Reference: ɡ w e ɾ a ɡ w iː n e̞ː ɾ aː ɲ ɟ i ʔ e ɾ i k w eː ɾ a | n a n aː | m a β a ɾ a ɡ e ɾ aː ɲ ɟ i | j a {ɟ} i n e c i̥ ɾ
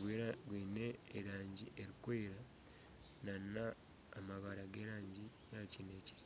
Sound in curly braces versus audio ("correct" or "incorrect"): incorrect